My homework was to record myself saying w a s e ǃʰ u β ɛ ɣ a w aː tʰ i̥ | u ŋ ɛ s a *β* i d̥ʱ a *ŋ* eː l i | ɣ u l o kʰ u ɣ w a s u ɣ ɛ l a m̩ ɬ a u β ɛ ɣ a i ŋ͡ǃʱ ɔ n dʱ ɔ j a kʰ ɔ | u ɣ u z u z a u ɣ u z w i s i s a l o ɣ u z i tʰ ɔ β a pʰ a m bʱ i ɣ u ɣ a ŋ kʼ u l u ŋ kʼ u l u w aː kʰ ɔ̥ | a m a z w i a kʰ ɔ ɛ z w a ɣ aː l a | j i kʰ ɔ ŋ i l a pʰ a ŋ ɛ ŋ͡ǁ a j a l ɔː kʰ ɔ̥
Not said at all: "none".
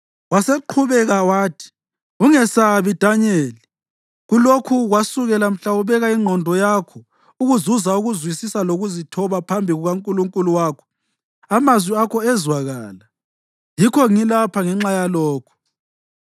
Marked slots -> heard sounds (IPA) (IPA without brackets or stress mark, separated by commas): β, ɲ